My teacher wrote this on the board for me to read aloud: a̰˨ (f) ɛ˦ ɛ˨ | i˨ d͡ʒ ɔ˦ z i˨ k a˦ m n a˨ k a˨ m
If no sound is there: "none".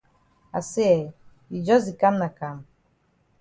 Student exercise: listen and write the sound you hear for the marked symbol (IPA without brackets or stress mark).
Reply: s